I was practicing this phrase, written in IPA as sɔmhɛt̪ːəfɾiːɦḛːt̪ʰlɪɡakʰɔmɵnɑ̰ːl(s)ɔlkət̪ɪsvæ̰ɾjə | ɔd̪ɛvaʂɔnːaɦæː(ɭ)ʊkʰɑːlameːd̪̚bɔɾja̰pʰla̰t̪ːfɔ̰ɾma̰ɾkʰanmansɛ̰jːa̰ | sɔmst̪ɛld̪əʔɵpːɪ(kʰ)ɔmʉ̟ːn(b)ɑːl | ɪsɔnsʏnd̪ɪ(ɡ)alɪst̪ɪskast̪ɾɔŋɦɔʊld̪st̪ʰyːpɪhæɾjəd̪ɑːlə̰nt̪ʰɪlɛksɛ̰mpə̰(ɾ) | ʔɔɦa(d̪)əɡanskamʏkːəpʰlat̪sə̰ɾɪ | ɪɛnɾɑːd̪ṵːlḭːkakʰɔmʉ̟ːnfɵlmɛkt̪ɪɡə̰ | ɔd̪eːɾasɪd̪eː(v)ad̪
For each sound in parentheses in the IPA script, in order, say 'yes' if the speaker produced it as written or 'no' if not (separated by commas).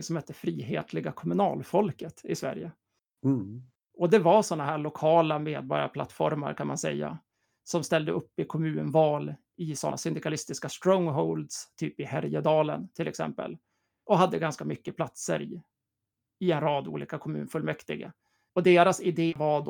no, yes, yes, no, no, no, no, yes